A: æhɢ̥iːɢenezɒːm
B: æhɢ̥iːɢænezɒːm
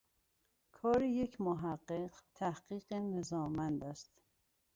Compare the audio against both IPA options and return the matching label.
A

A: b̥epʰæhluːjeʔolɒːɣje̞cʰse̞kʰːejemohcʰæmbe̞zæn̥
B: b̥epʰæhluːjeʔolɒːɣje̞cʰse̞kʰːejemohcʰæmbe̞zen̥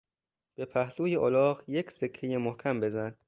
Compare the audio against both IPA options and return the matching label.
A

